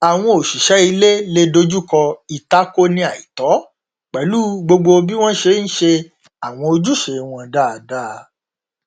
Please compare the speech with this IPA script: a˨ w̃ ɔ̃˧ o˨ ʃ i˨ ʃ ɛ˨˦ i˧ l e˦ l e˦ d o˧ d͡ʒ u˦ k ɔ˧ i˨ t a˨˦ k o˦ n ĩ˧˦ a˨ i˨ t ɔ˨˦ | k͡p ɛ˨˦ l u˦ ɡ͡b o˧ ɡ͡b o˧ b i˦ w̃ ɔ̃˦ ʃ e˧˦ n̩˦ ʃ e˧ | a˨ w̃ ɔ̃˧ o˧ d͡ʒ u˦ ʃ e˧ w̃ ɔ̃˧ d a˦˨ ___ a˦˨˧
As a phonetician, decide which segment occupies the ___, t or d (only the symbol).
d